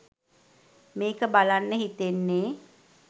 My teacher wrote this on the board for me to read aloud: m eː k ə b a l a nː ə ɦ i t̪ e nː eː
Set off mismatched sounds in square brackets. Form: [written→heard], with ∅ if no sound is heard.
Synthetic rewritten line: m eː k ə b a l a nː ə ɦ i t̪ e nː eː